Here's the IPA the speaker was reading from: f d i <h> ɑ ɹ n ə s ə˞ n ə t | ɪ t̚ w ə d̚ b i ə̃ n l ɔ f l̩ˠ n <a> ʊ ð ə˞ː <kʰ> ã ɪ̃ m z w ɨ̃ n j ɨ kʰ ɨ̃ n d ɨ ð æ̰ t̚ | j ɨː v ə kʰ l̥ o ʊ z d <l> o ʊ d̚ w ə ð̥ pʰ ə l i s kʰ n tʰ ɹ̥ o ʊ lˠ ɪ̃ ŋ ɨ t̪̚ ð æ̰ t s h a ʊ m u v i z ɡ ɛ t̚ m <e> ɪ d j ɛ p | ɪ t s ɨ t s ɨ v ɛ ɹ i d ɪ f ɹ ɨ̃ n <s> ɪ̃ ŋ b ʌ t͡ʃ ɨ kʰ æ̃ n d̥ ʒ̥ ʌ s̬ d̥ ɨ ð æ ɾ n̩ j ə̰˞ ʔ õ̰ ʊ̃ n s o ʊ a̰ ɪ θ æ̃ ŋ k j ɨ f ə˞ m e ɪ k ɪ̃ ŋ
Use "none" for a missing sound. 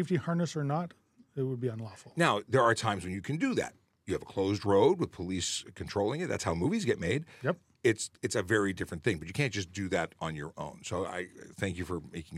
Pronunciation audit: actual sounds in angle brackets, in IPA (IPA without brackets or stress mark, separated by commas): h, a, tʰ, ɹ, e, θ